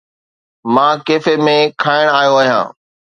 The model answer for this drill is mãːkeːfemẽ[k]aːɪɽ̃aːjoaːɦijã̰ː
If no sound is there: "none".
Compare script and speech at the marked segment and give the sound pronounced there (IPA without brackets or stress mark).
kʰ